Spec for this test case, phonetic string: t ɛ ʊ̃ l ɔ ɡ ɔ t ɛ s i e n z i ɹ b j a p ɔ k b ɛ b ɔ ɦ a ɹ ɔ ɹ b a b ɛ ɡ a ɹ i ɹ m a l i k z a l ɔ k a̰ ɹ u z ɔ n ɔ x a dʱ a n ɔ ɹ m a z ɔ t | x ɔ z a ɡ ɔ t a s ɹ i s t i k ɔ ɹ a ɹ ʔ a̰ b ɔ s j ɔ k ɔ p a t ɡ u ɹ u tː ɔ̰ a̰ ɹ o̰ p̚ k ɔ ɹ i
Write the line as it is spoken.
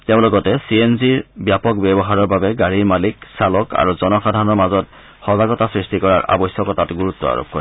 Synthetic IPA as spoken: t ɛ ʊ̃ l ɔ ɡ ɔ t ɛ s i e n z i ɹ b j a p ɔ k b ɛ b ɔ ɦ a ɹ ɔ ɹ b a b ɛ ɡ a ɹ i ɹ m a l i k s a l ɔ k a̰ ɹ u z ɔ n ɔ x a dʱ a n ɔ ɹ m a z ɔ t | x ɔ z a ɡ ɔ t a s ɹ i s t i k ɔ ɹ a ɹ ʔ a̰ b ɔ s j ɔ k ɔ t a t ɡ u ɹ u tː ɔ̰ a̰ ɹ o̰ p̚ k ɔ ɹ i